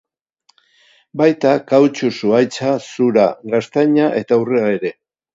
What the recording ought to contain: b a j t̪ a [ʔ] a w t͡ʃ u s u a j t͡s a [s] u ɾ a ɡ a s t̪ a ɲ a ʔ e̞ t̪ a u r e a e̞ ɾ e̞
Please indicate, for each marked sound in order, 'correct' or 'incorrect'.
incorrect, correct

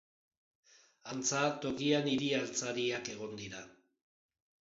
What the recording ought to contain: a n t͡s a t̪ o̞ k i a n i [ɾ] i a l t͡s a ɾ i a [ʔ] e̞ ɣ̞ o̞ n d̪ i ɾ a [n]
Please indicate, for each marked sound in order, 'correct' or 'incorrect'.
correct, incorrect, incorrect

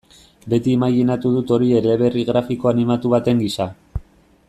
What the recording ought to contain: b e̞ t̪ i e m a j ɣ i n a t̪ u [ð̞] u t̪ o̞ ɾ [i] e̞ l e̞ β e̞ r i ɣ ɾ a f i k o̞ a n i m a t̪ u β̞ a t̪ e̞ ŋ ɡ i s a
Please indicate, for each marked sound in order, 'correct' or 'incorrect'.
correct, correct

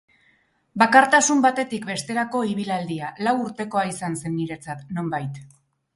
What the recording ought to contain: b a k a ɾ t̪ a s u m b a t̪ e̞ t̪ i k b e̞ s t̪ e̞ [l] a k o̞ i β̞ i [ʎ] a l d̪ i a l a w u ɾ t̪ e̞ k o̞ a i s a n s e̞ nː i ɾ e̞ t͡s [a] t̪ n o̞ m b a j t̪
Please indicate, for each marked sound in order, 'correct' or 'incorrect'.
incorrect, incorrect, correct

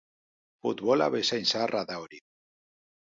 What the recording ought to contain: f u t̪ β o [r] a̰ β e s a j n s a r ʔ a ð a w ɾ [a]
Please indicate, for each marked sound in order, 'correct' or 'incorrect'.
incorrect, incorrect

